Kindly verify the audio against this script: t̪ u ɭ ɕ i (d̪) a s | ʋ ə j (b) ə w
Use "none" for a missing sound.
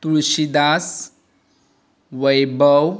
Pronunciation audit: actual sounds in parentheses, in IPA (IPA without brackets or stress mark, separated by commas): d̪, b